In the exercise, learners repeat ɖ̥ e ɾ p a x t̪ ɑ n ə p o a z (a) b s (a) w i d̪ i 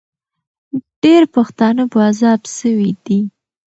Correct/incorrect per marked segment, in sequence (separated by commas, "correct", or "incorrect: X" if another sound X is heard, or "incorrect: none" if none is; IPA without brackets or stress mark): incorrect: ɑ, incorrect: ə